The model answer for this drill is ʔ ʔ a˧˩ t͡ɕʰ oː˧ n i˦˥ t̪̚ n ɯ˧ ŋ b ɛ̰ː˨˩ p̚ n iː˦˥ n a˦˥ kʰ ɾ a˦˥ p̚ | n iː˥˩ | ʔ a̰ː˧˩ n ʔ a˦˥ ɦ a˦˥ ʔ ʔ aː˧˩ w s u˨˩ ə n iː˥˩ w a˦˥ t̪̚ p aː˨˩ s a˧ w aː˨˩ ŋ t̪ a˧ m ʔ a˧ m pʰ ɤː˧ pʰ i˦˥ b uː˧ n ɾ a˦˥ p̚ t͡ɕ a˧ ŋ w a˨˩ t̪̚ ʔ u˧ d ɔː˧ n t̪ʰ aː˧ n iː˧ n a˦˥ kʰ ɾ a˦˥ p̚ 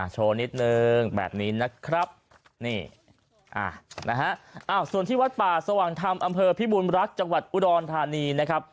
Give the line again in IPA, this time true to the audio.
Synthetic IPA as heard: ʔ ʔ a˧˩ t͡ɕʰ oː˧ n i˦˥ t̪̚ n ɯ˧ ŋ b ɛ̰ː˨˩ p̚ n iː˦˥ n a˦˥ kʰ ɾ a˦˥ p̚ | n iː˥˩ | ʔ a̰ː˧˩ n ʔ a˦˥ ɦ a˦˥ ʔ ʔ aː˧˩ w s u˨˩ ə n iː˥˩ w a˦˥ t̪̚ p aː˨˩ s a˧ w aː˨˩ ŋ t̪ʰ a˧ m ʔ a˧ m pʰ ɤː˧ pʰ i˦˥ b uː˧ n ɾ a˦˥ k̚ t͡ɕ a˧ ŋ w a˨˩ t̪̚ ʔ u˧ d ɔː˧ n t̪ʰ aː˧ n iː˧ n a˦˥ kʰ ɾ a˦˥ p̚